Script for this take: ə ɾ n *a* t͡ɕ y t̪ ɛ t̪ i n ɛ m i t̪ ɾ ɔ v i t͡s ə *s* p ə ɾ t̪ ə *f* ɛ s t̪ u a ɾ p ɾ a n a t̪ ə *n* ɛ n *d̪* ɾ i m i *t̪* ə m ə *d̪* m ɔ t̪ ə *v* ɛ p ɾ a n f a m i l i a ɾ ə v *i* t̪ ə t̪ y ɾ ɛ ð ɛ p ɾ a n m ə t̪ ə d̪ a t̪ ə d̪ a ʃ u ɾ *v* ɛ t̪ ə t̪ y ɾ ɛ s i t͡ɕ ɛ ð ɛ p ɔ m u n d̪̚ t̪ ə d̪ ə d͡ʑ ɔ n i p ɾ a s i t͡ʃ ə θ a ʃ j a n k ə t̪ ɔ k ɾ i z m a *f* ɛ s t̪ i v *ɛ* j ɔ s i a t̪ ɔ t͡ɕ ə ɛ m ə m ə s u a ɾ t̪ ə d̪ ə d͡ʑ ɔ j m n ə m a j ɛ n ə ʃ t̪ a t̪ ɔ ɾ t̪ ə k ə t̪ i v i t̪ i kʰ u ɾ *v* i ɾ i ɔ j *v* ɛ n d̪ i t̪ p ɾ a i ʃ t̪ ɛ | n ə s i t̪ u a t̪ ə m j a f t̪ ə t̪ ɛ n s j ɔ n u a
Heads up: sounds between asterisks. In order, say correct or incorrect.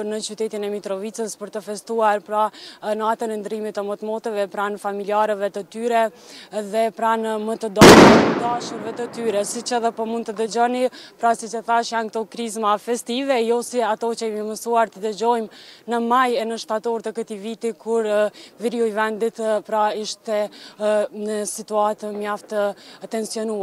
incorrect: ə, correct, correct, correct, correct, correct, incorrect: t̪, correct, incorrect: ɛ, correct, correct, correct, correct, correct

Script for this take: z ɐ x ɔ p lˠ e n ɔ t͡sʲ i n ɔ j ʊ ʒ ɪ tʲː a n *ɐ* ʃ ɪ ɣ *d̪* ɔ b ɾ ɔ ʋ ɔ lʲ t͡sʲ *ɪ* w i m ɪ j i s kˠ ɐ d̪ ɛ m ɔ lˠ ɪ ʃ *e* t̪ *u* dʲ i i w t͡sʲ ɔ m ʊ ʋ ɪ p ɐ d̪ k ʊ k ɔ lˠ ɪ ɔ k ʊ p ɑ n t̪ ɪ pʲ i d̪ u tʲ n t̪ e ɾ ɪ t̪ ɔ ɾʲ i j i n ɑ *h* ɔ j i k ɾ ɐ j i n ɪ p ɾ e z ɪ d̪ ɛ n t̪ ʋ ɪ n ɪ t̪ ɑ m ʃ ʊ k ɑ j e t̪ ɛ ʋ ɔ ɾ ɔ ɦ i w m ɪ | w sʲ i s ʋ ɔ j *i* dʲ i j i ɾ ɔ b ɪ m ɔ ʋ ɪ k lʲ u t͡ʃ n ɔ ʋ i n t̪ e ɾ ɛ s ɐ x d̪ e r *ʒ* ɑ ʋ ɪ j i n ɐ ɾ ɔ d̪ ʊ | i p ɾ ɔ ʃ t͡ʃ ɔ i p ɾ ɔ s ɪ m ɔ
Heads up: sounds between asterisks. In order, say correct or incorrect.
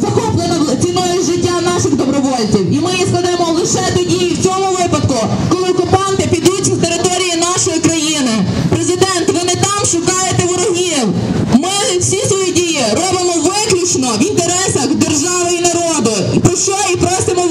incorrect: ɑ, correct, incorrect: i, incorrect: ɛ, incorrect: ɔ, incorrect: ʃ, correct, correct

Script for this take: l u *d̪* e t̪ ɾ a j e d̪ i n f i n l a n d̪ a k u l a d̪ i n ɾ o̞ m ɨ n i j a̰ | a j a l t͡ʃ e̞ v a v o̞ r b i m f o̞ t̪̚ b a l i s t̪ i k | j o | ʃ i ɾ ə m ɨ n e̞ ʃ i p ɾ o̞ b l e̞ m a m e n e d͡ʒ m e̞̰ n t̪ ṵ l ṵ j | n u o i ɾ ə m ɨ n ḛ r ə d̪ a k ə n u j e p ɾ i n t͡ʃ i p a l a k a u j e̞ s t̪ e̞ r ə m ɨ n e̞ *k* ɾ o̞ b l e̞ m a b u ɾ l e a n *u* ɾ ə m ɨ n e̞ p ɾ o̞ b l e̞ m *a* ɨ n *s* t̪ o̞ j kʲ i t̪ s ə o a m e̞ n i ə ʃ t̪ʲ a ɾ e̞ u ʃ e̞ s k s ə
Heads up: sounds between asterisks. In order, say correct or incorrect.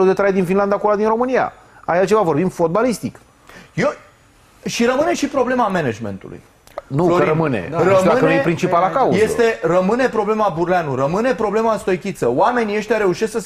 correct, incorrect: p, correct, correct, correct

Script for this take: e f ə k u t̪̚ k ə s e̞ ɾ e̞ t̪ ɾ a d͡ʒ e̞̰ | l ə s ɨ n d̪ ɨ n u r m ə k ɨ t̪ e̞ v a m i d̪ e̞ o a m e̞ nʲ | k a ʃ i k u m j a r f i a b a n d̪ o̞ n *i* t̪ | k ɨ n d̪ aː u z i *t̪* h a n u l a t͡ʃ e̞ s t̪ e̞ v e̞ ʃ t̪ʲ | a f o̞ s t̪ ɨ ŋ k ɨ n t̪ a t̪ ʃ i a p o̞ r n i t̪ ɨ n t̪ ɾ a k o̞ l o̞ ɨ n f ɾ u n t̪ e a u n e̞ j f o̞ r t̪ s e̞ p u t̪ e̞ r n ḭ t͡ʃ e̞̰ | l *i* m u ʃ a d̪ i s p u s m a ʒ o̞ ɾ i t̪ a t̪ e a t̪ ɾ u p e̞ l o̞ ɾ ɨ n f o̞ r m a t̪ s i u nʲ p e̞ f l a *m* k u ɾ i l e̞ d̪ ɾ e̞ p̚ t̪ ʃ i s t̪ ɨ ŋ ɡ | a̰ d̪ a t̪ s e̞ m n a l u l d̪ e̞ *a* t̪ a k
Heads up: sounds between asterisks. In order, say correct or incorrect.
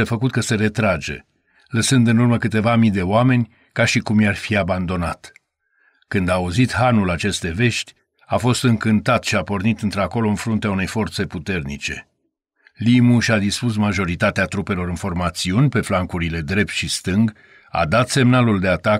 incorrect: a, correct, correct, incorrect: ŋ, correct

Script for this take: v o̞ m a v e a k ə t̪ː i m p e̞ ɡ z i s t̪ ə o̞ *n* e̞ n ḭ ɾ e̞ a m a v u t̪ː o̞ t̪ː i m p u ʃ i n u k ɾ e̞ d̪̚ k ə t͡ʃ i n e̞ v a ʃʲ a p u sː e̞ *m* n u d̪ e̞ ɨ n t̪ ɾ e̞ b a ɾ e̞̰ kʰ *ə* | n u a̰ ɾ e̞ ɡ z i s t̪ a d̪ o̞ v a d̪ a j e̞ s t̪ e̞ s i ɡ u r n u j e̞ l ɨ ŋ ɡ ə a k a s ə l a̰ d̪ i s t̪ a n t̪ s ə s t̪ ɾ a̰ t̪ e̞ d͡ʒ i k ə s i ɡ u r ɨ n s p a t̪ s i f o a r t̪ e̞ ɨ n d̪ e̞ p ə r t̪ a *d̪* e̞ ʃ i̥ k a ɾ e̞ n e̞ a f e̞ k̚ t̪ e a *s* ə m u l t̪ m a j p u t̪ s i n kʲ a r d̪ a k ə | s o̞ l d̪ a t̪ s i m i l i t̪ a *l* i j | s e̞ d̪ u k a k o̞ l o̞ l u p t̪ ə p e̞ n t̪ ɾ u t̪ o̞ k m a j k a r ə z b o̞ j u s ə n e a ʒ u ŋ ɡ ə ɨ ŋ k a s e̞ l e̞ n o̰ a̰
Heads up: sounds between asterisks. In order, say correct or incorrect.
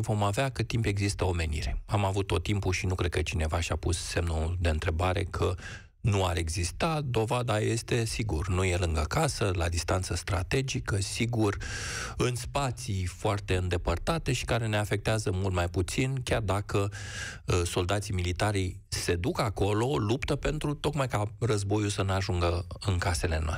incorrect: m, correct, correct, incorrect: t̪, incorrect: z, incorrect: ɾ

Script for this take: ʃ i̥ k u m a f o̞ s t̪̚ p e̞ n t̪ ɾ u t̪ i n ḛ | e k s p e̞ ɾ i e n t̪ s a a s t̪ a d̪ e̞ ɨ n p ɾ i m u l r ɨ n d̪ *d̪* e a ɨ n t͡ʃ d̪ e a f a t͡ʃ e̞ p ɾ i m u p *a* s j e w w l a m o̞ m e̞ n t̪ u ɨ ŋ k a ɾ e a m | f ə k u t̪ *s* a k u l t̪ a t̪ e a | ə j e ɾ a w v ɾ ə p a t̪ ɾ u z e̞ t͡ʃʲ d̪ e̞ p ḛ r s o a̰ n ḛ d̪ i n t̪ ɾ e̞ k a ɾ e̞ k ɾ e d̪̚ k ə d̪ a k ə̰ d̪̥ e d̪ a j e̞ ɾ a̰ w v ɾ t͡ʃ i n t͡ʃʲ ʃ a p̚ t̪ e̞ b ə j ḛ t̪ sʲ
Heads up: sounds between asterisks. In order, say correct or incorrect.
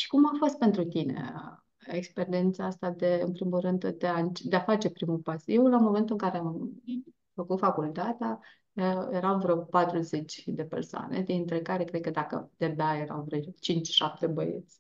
correct, correct, incorrect: f

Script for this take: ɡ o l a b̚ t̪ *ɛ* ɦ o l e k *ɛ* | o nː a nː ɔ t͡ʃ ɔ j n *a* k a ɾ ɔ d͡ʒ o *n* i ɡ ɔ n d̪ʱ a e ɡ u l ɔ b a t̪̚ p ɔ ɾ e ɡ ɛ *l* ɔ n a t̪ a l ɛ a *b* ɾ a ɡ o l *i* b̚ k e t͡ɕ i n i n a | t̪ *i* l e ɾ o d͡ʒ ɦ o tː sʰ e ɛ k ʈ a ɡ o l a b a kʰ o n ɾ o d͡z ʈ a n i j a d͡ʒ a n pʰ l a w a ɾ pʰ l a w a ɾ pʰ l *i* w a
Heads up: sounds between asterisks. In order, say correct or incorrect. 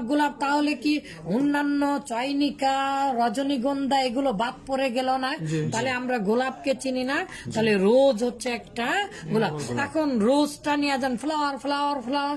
incorrect: a, incorrect: i, incorrect: i, correct, correct, incorrect: m, incorrect: a, incorrect: a, incorrect: a

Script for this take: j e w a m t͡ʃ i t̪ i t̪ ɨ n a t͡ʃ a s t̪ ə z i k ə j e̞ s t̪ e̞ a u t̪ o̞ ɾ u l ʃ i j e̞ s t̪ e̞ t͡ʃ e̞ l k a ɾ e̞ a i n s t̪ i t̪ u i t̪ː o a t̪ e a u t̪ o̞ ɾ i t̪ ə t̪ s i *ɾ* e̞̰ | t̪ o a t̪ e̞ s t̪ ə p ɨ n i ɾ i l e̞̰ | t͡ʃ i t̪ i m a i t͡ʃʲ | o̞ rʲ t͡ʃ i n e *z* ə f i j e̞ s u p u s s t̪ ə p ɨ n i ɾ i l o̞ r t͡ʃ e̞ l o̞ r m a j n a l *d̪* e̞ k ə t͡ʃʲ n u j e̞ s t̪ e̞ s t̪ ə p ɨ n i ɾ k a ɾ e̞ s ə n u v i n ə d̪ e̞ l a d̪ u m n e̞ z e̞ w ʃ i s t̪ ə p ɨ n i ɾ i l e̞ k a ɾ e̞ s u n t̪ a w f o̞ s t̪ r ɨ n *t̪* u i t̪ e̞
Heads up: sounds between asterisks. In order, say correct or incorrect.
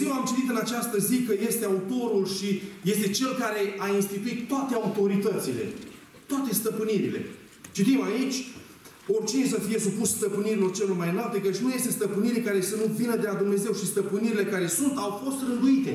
incorrect: l, incorrect: s, incorrect: t̪, incorrect: d̪

